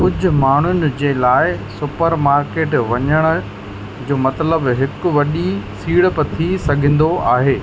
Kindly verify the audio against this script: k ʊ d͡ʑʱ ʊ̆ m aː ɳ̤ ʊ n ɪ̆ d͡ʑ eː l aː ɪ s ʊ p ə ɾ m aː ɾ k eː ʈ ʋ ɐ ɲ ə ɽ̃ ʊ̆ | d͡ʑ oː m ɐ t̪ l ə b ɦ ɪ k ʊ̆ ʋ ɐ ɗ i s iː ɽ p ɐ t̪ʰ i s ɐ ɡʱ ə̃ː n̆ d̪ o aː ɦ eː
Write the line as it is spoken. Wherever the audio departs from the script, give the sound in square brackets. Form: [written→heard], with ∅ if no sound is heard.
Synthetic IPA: k ʊ d͡ʑʱ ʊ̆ m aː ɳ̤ ʊ n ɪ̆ d͡ʑ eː l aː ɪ s ʊ p ə ɾ m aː ɾ k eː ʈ ʋ ɐ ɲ ə ɽ̃ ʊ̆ | d͡ʑ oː m ɐ t̪ l ə b ɦ ɪ k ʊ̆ ʋ ɐ ɗ i s iː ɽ p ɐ t̪ʰ i s ɐ ɡʱ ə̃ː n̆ d̪ o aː ɦ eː